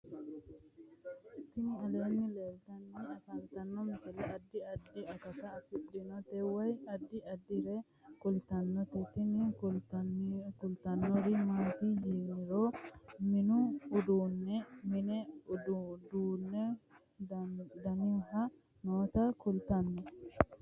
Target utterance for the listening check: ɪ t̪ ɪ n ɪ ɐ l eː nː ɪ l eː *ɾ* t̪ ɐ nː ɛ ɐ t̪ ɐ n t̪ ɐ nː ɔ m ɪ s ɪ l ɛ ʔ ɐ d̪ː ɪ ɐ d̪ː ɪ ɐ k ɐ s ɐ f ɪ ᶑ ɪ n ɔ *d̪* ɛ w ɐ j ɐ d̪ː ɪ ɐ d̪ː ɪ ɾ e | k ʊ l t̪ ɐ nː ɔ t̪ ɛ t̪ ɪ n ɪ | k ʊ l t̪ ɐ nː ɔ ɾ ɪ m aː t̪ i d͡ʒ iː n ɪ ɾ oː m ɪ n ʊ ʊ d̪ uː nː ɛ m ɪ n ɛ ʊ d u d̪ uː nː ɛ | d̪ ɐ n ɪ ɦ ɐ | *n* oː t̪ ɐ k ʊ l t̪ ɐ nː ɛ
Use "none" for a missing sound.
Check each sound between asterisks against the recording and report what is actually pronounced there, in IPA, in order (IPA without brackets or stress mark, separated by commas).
l, t̪, n